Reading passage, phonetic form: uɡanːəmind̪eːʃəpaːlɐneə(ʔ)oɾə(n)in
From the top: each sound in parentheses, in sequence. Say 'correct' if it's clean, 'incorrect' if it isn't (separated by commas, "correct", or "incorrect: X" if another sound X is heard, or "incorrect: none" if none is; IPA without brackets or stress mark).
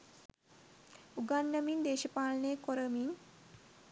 incorrect: k, incorrect: m